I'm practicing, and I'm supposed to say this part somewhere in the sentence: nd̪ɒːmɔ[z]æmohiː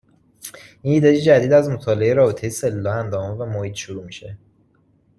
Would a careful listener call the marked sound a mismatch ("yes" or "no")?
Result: yes